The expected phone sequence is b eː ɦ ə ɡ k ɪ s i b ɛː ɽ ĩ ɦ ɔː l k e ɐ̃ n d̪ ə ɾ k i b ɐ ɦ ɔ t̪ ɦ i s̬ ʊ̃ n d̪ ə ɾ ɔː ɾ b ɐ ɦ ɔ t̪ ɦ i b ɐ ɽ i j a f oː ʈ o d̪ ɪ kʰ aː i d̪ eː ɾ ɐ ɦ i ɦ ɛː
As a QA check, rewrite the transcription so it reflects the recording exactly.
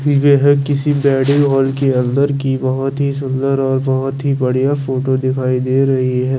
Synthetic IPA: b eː ɦ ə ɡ k ɪ s i b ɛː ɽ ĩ ɦ ɔː l k e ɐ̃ n d̪ ə ɾ k i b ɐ ɦ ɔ t̪ ɦ i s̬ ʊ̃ n d̪ ə ɾ ɔː ɾ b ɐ ɦ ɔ t̪ ɦ i b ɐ ɽ i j a f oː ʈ o d̪ ɪ kʰ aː i d̪ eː ɾ ɐ ɦ i ɦ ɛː